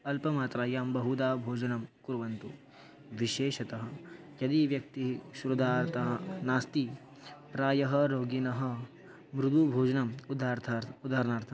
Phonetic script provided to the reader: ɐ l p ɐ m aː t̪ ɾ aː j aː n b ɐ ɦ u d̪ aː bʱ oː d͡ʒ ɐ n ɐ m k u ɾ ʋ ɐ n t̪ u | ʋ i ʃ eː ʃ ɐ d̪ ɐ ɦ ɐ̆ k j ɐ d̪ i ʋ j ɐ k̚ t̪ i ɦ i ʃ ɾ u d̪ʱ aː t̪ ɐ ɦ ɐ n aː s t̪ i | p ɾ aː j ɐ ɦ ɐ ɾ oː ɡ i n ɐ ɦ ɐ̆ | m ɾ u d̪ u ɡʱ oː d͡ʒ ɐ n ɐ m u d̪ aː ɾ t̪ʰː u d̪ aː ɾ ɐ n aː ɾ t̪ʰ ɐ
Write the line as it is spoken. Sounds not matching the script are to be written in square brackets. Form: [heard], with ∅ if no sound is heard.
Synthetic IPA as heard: ɐ l p ɐ m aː t̪ ɾ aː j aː [m] b ɐ ɦ u d̪ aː bʱ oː d͡ʒ ɐ n ɐ m k u ɾ ʋ ɐ n t̪ u | ʋ i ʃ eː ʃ ɐ [t̪] ɐ ɦ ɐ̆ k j ɐ d̪ i ʋ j ɐ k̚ t̪ i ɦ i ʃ ɾ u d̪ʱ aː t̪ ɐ ɦ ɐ n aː s t̪ i | p ɾ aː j ɐ ɦ ɐ ɾ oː ɡ i n ɐ ɦ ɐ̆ | m ɾ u d̪ u [bʱ] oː d͡ʒ ɐ n ɐ m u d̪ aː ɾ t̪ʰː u d̪ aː ɾ ɐ n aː ɾ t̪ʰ ɐ